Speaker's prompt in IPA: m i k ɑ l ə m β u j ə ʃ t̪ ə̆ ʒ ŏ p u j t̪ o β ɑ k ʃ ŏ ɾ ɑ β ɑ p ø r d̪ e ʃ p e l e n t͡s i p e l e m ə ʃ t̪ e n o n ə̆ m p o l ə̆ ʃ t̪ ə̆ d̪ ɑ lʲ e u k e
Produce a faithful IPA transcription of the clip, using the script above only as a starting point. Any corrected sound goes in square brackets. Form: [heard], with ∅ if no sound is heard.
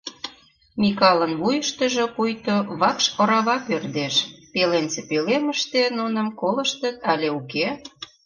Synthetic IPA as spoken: m i k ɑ l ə [n] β u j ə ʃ t̪ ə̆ ʒ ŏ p u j t̪ o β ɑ k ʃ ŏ ɾ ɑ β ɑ p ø r d̪ e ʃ p e l e n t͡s [e] p e l e m ə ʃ t̪ e n [u] n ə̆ m [k] o l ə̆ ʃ t̪ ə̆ [t̪] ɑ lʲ e u k e